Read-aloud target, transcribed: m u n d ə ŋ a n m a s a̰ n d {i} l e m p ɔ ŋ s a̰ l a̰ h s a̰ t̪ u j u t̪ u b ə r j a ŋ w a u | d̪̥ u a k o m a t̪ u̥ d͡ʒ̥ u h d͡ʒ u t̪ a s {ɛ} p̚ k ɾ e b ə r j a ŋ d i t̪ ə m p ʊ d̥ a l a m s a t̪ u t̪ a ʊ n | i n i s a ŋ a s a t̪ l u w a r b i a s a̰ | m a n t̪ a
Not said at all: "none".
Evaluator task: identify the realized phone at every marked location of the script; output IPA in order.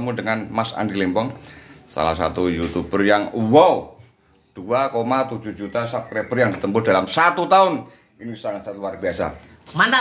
i, a

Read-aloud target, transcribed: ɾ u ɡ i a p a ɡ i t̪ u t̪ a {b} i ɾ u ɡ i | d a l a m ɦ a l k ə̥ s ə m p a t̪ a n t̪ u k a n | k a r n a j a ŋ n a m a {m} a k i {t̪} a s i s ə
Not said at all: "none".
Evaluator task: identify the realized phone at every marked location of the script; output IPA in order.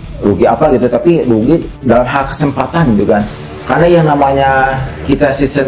p, ɲ, t̪

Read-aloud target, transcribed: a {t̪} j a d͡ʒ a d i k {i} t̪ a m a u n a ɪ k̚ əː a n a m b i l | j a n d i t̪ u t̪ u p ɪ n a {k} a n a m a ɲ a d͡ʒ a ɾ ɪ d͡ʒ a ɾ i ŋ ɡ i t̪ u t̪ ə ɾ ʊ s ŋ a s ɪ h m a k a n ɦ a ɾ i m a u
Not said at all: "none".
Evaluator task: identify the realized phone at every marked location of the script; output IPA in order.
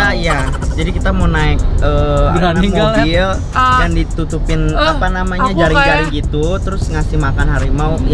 none, i, p

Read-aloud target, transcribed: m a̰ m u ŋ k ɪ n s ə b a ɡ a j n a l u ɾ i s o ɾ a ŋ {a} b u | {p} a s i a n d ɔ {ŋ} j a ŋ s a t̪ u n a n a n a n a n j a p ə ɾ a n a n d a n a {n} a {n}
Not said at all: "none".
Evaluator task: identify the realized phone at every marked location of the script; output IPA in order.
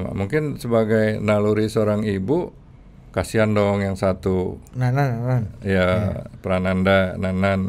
i, k, ŋ, n, n

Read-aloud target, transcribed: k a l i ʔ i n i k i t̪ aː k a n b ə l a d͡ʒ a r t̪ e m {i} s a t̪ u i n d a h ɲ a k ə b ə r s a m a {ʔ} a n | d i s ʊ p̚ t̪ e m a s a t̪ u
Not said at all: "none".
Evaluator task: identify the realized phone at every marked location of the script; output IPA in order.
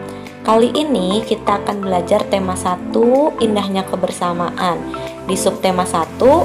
a, ʔ

